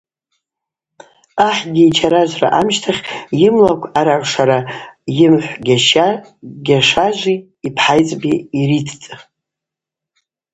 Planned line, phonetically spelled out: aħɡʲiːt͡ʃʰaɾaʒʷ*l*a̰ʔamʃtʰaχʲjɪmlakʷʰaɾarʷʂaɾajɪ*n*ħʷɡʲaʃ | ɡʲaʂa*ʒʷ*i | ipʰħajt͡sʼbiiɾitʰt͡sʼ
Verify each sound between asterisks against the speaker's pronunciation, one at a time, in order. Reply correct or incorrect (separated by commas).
incorrect, incorrect, correct